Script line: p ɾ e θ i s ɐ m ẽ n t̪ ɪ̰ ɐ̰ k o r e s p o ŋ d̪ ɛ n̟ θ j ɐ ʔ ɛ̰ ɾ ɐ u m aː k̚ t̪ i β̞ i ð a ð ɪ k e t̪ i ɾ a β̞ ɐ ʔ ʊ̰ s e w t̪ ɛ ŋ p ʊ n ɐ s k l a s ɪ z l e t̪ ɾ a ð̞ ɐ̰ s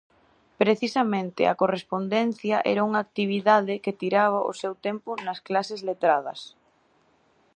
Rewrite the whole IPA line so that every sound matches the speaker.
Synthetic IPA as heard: p ɾ e θ i s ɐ m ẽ n t̪ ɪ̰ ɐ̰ k o r e s p o n d̪ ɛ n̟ θ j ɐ ʔ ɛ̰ ɾ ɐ u ŋ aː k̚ t̪ i β̞ i ð a ð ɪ k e t̪ i ɾ a β̞ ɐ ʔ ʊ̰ s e w t̪ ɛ m p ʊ n ɐ s k l a s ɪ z l e t̪ ɾ a ð̞ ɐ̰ s